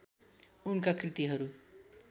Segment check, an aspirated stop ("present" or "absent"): absent